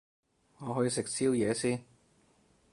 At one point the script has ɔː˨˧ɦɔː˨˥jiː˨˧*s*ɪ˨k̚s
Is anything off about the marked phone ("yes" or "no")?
no